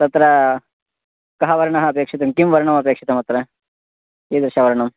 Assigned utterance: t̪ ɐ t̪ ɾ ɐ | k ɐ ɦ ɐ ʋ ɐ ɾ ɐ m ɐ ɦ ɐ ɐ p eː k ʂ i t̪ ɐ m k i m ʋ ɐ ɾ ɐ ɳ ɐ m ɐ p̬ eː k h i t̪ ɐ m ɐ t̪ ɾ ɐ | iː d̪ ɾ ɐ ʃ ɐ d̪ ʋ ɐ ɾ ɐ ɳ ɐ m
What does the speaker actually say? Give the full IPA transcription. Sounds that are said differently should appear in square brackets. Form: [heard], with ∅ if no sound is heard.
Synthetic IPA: t̪ ɐ t̪ ɾ ɐ | k ɐ ɦ ɐ ʋ ɐ ɾ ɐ [ɳ] ɐ ɦ ɐ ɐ p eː k ʂ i t̪ ɐ m k i m ʋ ɐ ɾ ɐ ɳ ɐ m ɐ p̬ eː k [ʂ] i t̪ ɐ m ɐ t̪ ɾ ɐ | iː d̪ ɾ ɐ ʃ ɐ [∅] ʋ ɐ ɾ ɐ ɳ ɐ m